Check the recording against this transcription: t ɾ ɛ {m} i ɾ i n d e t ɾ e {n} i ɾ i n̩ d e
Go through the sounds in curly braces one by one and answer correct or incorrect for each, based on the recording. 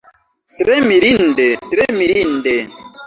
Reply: correct, incorrect: m

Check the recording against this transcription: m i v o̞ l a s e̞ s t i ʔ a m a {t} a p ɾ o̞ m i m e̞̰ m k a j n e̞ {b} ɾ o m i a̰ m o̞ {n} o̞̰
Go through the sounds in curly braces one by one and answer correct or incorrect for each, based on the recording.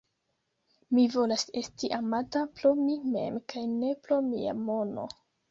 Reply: correct, incorrect: p, correct

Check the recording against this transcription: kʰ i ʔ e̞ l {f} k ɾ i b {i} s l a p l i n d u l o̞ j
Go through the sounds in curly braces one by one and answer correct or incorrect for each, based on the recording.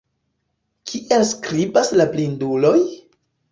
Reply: incorrect: s, incorrect: a

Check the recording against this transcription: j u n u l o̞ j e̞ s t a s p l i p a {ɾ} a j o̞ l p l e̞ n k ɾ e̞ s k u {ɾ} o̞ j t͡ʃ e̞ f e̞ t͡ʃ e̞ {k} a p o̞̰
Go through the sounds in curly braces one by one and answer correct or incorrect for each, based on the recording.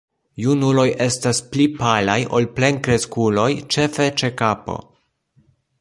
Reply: incorrect: l, incorrect: l, correct

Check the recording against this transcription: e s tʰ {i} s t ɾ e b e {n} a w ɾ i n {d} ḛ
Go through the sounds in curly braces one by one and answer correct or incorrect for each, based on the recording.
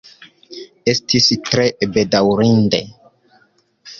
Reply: correct, incorrect: d, correct

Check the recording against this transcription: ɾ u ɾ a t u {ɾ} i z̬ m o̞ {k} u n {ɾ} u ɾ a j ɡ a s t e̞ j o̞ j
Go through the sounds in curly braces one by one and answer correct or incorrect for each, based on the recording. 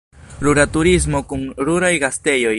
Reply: correct, correct, correct

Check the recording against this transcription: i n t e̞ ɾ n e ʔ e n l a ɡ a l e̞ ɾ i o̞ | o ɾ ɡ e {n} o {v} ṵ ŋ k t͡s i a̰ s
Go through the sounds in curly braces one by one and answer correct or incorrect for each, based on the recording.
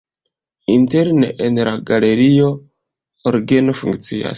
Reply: correct, incorrect: f

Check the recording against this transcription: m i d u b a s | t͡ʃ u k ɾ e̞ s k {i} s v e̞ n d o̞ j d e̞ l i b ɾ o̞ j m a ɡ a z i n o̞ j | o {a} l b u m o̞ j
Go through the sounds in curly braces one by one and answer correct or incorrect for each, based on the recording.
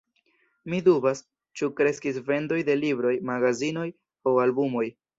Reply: correct, correct

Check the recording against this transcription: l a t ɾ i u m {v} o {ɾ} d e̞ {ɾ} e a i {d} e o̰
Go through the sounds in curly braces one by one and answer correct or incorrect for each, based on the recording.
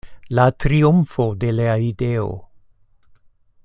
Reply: incorrect: f, incorrect: none, incorrect: l, correct

